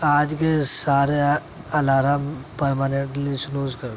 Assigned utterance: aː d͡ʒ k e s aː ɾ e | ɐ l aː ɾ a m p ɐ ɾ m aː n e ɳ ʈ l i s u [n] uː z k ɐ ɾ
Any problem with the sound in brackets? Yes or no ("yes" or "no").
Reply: no